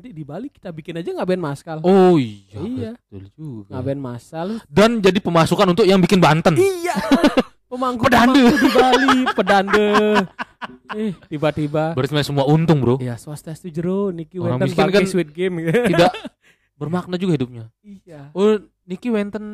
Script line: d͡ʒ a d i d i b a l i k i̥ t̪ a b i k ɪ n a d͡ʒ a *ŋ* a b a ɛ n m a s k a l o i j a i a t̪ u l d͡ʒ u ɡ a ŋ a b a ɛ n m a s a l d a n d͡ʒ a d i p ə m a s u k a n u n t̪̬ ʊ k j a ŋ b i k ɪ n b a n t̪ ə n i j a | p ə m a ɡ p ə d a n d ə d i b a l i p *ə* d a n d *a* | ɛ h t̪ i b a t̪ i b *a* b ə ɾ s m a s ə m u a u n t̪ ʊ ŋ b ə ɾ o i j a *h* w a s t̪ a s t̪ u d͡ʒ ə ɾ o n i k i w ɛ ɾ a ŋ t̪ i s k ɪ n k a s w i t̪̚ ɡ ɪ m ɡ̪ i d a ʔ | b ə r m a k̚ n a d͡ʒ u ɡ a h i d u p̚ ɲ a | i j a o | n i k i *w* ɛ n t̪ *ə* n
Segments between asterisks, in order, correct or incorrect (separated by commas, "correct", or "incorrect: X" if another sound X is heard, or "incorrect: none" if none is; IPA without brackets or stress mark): correct, correct, incorrect: ə, correct, incorrect: s, correct, correct